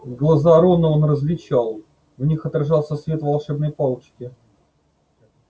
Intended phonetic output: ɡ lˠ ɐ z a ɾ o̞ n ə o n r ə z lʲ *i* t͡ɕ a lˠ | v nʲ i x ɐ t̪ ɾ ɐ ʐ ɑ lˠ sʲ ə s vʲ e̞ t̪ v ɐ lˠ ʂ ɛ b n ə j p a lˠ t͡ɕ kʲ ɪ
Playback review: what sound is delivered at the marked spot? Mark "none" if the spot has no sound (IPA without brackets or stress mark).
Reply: ɪ